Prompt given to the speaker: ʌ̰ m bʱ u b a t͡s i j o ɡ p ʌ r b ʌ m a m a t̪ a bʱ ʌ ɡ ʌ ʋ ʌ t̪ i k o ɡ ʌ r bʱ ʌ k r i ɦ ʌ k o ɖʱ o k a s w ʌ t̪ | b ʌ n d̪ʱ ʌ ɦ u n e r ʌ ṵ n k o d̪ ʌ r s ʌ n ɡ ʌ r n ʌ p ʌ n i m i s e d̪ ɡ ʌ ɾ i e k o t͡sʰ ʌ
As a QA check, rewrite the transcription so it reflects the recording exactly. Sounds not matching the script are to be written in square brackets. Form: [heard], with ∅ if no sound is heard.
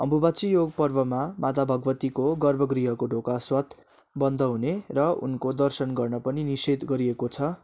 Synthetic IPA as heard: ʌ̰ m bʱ u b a t͡s i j o ɡ p ʌ r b ʌ m a m a t̪ a bʱ ʌ ɡ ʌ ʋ ʌ t̪ i k o ɡ ʌ r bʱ ʌ [ɡ] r i ɦ ʌ k o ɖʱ o k a s w ʌ t̪ | b ʌ n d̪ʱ ʌ ɦ u n e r ʌ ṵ n k o d̪ ʌ r s ʌ n ɡ ʌ r n ʌ p ʌ n i [n] i s e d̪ ɡ ʌ ɾ i e k o t͡sʰ ʌ